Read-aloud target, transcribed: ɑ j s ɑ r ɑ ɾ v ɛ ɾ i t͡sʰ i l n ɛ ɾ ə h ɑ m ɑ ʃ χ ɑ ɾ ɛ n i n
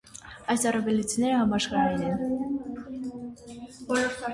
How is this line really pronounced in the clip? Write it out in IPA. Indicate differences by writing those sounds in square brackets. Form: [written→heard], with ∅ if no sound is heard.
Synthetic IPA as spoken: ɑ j s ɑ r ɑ [ɾ→∅] v ɛ [ɾ→l] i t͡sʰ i [l→∅] n ɛ ɾ ə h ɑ m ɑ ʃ χ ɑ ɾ ɛ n [i→ɛ] n